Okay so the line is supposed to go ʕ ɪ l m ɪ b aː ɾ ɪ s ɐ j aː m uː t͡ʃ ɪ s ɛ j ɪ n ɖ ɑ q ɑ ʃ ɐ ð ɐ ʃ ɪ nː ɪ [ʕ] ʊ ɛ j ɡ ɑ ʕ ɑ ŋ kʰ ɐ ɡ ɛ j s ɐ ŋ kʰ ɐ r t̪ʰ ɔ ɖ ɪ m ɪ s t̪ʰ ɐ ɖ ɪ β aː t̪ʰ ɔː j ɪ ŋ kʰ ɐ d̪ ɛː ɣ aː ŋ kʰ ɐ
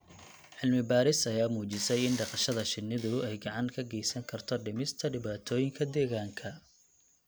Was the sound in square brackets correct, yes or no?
no